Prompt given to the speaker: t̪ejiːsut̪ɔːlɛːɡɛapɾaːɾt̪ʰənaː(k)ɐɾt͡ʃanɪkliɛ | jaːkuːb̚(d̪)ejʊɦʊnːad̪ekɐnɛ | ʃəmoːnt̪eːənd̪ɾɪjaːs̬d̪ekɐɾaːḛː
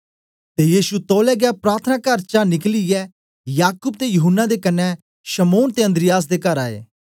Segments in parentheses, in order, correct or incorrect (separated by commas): correct, incorrect